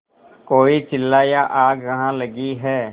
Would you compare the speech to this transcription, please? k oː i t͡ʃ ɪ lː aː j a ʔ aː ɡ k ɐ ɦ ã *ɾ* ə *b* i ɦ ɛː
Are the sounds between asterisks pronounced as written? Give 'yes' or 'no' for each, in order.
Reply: no, no

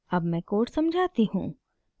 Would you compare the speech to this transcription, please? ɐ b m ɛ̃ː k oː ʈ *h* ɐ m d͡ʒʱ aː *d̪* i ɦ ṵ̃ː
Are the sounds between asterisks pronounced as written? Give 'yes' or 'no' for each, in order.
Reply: no, no

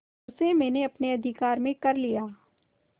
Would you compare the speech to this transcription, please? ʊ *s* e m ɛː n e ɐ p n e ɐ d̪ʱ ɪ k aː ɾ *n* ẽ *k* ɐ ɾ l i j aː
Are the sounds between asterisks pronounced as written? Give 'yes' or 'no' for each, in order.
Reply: yes, no, yes

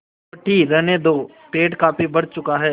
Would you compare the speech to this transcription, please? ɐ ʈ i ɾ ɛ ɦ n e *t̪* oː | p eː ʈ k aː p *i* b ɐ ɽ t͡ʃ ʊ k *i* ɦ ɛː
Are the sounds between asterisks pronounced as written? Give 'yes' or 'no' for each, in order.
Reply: no, yes, no

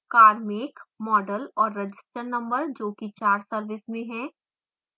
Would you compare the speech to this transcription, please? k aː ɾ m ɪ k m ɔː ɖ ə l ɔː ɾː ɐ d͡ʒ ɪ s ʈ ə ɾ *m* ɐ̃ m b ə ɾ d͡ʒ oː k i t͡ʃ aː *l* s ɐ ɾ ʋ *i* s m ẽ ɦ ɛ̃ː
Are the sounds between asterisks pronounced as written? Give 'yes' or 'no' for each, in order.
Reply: no, no, no

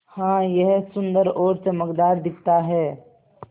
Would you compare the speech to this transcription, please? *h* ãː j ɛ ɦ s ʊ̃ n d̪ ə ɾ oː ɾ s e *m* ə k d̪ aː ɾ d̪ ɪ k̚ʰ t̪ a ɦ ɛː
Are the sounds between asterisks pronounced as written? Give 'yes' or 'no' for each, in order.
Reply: yes, yes

